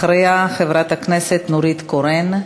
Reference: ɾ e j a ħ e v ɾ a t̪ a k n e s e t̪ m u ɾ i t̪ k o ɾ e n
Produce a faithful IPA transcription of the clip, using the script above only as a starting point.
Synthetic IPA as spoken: ɾ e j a χ e v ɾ a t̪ a k n e s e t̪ n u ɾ i t̪ k o ɾ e n